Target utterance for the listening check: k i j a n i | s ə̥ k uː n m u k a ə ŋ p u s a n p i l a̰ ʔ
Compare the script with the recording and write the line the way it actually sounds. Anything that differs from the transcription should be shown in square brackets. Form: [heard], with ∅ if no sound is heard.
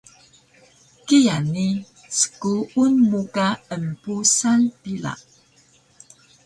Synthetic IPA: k i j a n i | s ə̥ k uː n m u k a ə [m] p u s a n p i l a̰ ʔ